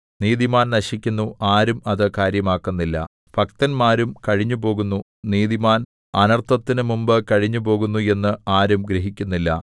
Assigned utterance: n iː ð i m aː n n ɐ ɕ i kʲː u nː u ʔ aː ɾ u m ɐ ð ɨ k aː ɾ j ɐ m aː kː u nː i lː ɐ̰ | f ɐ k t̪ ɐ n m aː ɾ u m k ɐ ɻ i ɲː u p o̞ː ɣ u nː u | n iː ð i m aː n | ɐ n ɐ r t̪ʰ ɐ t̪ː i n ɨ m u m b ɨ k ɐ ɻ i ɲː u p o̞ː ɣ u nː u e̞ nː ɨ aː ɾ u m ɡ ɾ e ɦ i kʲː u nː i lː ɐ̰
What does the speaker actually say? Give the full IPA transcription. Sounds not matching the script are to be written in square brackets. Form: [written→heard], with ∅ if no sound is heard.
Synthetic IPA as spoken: n iː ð i m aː n n ɐ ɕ i kʲː u nː u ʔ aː ɾ u m ɐ ð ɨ k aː ɾ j ɐ m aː kː u nː i lː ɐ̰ | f ɐ k t̪ ɐ n m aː ɾ u m k ɐ ɻ i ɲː u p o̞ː ɣ u nː u | n iː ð i m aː n | ɐ n ɐ r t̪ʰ ɐ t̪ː i n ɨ m u m b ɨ k ɐ ɻ i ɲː u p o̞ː ɣ u nː u e̞ nː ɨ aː ɾ u m ɡ ɾ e ɦ i kʲː u nː i lː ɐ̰